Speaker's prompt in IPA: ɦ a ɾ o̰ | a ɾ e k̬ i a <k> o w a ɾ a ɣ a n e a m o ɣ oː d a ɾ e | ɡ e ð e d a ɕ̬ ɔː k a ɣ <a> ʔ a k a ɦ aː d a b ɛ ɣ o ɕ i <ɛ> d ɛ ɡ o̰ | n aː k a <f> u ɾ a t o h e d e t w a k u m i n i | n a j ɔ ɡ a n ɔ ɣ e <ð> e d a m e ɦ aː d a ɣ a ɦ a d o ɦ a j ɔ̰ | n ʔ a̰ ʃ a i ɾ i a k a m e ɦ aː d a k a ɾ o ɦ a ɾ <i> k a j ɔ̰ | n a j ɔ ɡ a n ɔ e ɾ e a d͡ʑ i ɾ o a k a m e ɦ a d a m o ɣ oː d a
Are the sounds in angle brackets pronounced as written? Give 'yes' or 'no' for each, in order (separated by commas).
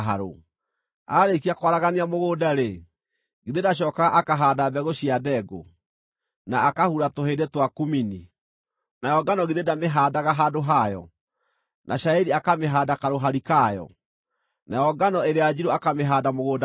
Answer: yes, yes, no, no, yes, yes